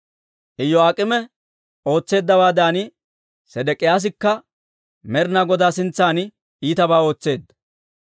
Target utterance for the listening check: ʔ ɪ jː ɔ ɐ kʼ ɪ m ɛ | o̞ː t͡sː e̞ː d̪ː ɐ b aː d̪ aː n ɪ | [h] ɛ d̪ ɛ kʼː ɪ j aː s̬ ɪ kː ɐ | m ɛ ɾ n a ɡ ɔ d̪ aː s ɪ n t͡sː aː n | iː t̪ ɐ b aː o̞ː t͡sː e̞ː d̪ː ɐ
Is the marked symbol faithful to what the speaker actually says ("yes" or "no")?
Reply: no